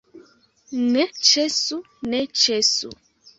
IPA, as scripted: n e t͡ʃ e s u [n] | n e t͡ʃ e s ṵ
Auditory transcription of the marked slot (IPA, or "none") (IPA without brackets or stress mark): none